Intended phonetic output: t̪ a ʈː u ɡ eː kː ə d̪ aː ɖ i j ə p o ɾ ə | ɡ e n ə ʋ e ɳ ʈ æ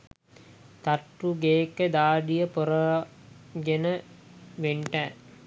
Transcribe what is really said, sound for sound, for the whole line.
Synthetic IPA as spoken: t̪ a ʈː u ɡ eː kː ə d̪ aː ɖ i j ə p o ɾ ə | ɡ e n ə ʋ e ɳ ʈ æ